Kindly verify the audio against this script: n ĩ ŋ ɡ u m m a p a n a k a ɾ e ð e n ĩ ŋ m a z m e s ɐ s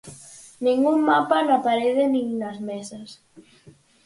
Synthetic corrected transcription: n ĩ ŋ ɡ u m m a p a n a p a ɾ e ð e n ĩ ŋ n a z m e s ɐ s